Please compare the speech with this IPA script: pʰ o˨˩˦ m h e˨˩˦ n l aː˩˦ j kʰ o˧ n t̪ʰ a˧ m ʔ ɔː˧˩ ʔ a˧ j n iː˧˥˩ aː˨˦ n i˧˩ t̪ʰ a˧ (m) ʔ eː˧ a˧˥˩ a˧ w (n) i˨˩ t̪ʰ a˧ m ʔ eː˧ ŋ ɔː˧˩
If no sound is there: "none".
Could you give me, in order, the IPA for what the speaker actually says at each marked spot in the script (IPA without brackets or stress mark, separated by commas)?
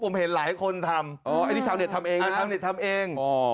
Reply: m, n